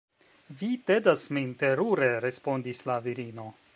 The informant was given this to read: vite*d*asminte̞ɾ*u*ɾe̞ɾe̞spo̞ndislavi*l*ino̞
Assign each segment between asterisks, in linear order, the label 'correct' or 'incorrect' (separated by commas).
correct, correct, incorrect